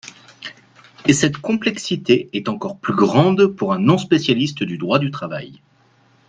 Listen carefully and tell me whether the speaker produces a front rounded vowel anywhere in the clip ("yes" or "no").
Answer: yes